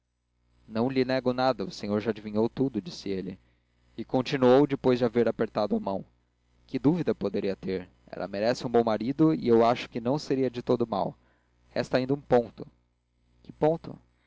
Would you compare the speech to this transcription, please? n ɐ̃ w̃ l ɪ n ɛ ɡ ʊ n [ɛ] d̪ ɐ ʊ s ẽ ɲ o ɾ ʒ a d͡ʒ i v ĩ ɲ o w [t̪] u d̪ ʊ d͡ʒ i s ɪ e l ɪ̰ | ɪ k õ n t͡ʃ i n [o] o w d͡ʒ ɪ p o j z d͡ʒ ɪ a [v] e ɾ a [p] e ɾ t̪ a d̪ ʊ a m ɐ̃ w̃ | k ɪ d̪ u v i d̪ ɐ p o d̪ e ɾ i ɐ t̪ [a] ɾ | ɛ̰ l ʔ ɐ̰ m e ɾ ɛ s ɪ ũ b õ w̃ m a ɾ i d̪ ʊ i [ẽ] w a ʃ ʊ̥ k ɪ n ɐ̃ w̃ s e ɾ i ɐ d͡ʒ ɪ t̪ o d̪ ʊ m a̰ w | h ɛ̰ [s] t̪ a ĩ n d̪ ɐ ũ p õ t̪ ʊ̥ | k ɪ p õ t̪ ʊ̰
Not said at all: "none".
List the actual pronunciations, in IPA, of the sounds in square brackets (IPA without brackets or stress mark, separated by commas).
a, t̪, u, v, p, e, e, s